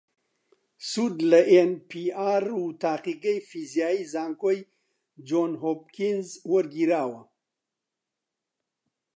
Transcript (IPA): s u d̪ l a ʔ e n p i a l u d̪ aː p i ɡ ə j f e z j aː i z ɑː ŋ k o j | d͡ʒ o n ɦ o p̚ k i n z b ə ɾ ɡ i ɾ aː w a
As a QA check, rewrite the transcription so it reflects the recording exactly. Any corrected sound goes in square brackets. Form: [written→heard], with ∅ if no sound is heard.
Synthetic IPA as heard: s u d̪ l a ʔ e n p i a [l→ɾ] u [d̪→t̪] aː [p→q] i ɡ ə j f [e→i] z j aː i z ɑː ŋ k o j | d͡ʒ o n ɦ o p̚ k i n z [b→w] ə ɾ ɡ i ɾ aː w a